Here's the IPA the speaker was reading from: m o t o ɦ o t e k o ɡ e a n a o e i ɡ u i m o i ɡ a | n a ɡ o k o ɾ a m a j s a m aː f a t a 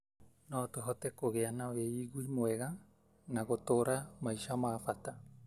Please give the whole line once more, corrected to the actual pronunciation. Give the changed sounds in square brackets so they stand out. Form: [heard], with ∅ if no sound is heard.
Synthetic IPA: [n] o t o ɦ o t e k o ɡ e a n a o e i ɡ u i m o [e] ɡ a | n a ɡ o [t] o ɾ a m a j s a m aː f a t a